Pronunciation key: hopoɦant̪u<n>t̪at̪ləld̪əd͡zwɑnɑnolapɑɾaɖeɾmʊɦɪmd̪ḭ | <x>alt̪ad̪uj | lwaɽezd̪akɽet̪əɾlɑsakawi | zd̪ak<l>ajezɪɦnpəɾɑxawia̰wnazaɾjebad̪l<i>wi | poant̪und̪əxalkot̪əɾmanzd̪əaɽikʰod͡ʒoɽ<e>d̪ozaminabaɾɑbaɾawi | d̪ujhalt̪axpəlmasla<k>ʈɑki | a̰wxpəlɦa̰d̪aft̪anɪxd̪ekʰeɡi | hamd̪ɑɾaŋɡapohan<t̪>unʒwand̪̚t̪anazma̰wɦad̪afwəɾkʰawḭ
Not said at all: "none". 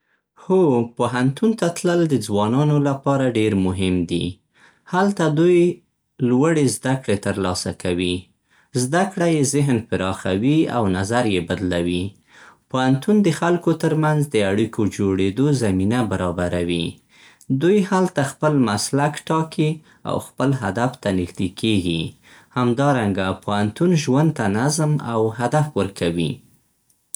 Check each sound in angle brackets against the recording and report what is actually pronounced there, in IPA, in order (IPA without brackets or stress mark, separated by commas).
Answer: n, h, ɽ, a, e, k, t̪